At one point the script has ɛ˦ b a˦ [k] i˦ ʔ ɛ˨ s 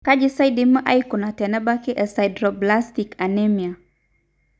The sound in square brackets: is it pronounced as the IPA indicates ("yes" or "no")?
yes